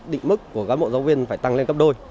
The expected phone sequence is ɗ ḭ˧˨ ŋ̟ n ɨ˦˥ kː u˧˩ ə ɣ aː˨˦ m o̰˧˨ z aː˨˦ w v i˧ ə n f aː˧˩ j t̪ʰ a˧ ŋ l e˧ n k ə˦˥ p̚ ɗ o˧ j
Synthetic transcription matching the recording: ɗ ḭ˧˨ ŋ̟ m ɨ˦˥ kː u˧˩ ə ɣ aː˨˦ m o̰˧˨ z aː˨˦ w v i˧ ə n f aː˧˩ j t̪ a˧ ŋ l e˧ n k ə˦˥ p̚ ɗ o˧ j